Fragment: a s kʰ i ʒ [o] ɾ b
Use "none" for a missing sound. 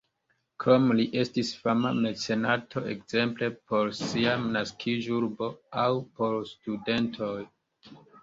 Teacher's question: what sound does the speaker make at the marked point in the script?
u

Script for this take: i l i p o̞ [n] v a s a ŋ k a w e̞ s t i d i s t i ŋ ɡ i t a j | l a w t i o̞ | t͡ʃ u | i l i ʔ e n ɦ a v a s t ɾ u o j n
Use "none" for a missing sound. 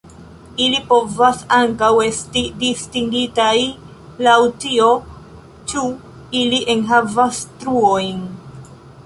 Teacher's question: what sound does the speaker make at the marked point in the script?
none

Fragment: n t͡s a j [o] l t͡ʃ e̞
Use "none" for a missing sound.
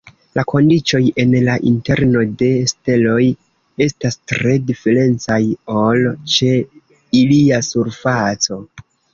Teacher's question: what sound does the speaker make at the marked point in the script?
o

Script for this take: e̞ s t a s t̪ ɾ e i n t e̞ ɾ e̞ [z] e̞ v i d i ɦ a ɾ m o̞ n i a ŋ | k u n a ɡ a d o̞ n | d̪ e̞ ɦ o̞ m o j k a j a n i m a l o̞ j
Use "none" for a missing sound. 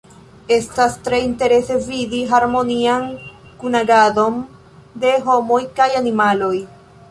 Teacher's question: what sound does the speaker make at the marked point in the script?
s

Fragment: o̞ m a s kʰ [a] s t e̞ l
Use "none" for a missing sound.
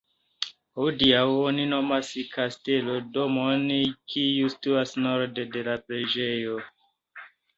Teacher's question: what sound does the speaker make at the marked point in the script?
a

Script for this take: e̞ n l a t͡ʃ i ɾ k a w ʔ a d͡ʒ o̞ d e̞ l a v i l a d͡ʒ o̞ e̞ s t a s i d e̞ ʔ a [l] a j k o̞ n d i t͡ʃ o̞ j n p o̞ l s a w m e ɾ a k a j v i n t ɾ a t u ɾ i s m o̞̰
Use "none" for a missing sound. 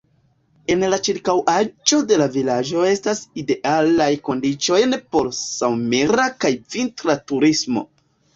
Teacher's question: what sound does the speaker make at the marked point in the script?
l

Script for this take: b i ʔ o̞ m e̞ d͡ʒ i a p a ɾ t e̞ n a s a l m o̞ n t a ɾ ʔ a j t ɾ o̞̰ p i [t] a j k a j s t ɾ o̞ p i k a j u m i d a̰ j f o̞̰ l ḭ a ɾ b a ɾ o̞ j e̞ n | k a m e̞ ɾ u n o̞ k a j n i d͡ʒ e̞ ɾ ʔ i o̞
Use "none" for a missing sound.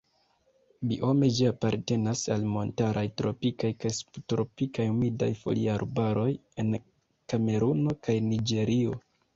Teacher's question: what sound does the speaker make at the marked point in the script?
k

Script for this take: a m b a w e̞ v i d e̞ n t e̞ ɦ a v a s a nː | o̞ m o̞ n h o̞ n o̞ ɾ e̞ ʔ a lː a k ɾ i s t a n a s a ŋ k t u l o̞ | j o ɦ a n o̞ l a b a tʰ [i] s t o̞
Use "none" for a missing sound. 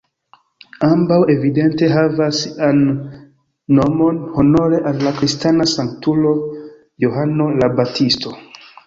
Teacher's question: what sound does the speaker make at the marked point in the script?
i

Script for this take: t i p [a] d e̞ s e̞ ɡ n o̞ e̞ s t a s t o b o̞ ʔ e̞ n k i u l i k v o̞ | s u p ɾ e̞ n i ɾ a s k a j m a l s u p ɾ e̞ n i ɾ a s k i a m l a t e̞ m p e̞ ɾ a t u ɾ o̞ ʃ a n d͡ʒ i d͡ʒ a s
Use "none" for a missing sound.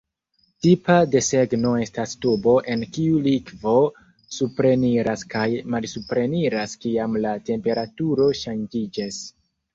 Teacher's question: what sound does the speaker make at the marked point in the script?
a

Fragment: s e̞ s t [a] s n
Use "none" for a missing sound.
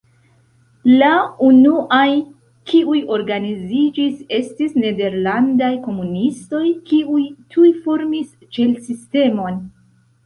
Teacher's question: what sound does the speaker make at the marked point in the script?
i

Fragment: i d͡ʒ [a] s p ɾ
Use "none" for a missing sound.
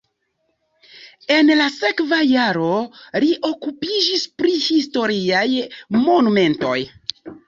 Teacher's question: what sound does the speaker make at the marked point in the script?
i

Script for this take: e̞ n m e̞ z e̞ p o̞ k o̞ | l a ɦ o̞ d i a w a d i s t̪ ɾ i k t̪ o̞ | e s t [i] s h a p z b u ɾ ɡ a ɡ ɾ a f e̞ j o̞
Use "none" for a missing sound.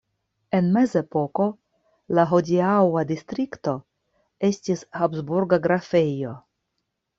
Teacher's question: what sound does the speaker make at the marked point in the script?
i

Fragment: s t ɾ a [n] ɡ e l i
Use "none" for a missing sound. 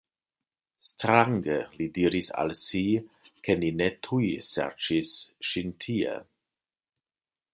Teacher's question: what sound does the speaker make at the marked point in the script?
ŋ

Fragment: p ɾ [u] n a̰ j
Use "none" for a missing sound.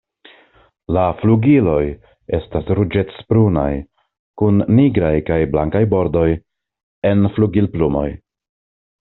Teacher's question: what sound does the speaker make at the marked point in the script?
u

